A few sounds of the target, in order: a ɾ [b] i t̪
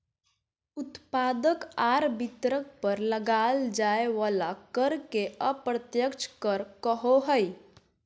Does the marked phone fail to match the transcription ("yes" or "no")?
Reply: no